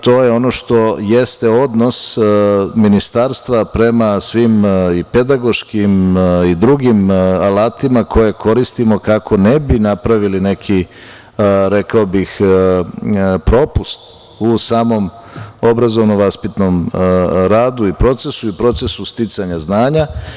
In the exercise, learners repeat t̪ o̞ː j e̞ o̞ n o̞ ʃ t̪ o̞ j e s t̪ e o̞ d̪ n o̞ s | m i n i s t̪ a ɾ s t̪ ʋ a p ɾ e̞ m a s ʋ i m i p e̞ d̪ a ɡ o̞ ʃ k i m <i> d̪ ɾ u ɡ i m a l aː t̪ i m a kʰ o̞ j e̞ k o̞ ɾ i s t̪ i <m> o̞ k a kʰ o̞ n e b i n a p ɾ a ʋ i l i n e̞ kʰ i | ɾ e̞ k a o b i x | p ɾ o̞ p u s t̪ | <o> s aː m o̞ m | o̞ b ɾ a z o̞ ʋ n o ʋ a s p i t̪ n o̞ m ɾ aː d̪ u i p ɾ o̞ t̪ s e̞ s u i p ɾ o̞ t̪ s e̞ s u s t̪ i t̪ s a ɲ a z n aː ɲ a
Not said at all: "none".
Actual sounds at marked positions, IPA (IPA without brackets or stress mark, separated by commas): i, m, u